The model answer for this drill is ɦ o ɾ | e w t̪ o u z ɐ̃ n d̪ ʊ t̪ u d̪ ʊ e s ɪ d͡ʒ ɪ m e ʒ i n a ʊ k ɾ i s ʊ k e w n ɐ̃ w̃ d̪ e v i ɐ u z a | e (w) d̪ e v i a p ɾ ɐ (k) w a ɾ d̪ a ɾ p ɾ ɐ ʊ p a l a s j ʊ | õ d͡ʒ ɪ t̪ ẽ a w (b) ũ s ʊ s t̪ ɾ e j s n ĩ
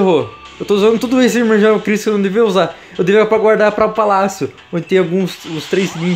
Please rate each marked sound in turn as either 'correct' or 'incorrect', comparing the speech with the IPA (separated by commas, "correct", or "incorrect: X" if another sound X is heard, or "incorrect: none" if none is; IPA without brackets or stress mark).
correct, incorrect: ɡ, incorrect: ɡ